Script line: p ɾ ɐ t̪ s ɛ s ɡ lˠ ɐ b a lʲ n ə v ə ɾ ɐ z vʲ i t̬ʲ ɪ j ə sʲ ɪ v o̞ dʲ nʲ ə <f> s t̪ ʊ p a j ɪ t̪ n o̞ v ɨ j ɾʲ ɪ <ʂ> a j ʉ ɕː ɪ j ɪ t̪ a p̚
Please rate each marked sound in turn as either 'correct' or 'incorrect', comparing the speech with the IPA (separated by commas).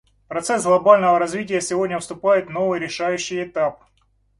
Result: correct, correct